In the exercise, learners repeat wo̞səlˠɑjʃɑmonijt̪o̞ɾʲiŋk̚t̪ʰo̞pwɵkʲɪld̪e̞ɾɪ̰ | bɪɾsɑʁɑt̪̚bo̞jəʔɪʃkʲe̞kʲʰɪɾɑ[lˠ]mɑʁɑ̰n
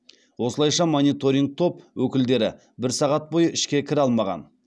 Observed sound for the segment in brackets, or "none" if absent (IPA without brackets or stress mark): lˠ